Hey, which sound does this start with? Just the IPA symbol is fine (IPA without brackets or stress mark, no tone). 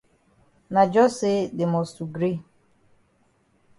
n